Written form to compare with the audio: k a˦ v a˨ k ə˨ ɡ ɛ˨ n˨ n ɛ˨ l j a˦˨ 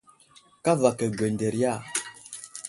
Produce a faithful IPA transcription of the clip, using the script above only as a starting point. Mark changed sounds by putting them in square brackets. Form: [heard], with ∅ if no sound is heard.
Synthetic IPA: k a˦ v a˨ k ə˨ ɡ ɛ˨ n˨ [d] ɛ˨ [ɾ] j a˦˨